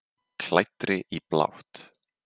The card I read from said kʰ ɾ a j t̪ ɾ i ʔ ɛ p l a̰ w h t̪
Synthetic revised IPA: kʰ l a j t̪ ɾ ɪ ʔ i p l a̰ w h t̪